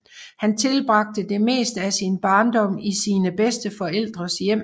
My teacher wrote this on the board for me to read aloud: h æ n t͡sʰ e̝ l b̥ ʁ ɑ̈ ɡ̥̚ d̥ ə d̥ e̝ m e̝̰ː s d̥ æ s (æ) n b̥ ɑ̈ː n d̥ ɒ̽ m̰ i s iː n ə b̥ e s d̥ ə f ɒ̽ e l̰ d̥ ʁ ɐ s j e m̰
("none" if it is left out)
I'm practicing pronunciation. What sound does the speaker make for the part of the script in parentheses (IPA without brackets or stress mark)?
i